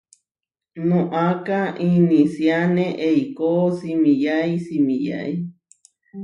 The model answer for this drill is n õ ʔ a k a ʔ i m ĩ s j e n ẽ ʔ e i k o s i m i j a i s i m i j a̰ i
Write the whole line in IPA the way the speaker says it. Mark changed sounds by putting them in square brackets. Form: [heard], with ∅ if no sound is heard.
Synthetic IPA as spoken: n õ ʔ a k a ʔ i [n] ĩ s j [a] n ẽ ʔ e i k o s i m i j a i s i m i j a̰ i